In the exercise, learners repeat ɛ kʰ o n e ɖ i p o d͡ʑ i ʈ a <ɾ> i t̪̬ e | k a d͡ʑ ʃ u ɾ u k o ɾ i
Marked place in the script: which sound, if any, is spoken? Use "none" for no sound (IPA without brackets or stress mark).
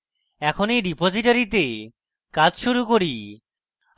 ɾ